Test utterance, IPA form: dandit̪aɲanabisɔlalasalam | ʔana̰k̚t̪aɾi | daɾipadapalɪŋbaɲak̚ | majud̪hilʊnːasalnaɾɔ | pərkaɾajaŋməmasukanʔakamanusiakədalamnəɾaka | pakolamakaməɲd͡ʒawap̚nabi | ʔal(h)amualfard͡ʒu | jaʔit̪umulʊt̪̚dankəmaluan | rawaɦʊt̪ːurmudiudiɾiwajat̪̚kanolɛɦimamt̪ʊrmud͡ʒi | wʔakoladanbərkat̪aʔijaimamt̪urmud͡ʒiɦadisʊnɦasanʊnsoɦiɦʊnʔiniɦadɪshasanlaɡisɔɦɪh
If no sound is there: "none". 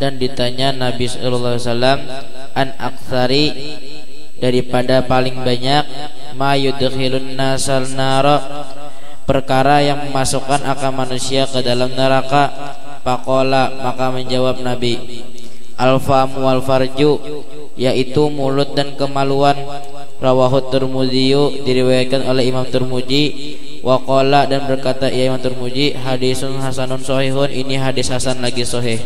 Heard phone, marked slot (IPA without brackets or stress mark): f